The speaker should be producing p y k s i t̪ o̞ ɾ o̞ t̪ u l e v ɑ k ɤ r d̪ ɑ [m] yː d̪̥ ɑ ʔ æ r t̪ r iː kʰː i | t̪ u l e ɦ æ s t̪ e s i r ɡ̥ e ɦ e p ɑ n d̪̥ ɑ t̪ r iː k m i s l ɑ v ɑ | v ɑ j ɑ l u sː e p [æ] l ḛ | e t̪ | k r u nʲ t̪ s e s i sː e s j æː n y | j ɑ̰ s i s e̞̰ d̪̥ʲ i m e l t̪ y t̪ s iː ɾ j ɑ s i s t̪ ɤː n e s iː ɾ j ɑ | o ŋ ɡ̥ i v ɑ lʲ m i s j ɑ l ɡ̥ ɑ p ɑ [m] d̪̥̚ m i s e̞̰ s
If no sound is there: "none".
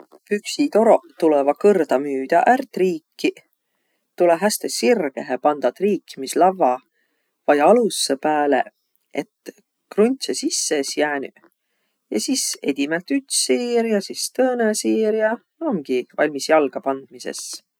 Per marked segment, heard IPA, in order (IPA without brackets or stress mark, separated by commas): m, æː, n